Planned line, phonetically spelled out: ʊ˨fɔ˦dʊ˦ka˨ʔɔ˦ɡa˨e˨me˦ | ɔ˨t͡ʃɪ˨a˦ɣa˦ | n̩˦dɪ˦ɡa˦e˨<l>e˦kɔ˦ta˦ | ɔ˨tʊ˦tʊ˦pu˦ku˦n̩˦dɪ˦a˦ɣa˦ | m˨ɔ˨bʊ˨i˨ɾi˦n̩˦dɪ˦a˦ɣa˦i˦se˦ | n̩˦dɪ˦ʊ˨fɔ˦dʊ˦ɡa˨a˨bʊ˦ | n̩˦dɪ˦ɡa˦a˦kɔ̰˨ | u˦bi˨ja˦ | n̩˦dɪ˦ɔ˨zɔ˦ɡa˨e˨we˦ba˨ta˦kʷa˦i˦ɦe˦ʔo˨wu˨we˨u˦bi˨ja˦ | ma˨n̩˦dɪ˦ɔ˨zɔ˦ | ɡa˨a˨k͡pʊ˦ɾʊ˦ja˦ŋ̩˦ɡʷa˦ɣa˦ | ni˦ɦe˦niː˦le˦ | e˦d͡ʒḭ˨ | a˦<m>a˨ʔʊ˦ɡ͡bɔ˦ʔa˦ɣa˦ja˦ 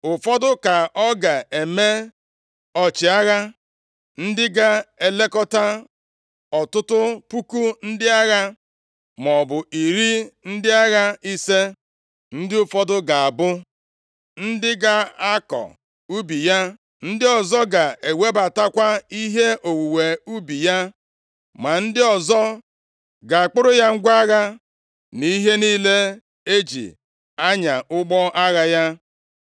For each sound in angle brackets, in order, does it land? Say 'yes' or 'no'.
yes, no

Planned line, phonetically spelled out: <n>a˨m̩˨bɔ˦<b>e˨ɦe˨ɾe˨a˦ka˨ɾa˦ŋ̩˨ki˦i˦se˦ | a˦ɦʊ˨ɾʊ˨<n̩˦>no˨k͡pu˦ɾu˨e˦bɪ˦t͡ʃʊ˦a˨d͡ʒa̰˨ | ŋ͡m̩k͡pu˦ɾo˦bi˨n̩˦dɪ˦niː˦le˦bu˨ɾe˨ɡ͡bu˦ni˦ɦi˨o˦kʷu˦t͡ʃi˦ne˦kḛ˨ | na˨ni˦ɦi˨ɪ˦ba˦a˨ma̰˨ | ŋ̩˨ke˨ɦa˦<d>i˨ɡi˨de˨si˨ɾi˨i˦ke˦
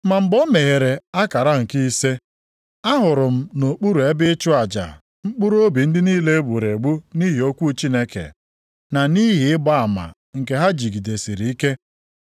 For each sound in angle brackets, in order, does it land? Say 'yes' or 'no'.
no, no, no, no

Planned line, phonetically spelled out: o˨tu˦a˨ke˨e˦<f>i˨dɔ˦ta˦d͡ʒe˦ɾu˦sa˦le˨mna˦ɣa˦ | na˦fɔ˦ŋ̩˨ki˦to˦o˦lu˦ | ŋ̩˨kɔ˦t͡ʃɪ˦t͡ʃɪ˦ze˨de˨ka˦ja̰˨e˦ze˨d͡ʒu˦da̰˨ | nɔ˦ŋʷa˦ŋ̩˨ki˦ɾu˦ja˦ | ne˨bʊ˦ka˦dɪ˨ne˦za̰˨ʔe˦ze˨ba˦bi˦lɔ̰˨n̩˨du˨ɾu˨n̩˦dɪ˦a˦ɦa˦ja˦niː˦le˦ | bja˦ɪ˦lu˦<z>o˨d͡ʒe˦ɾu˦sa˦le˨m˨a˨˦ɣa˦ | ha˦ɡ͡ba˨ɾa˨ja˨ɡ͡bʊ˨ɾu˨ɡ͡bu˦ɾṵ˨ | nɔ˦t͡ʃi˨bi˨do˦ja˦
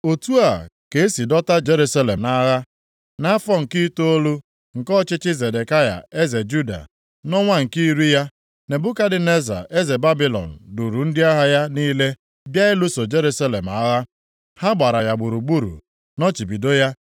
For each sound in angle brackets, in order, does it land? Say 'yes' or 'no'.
no, no

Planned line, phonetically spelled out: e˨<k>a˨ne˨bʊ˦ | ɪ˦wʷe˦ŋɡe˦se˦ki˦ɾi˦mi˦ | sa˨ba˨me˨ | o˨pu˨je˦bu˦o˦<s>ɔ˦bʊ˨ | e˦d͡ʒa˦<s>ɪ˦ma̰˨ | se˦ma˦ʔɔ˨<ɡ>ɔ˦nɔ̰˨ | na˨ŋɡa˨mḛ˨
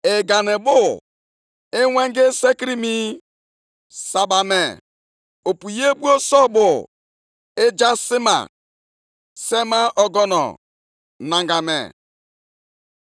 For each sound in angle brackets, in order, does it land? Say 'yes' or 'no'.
no, yes, yes, yes

